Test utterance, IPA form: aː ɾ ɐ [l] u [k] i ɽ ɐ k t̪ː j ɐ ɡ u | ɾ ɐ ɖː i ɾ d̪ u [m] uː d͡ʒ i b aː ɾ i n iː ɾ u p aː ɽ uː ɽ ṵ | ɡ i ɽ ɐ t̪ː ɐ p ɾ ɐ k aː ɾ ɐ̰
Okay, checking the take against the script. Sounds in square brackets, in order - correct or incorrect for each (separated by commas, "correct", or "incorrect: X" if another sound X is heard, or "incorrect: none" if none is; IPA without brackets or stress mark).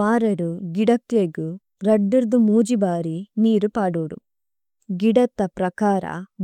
incorrect: ɾ, incorrect: ɡ, correct